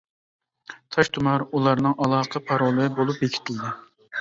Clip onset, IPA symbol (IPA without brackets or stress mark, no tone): t̪ʰ